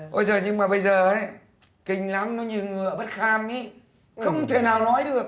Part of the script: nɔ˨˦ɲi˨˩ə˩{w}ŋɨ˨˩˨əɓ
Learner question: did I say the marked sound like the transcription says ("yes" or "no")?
yes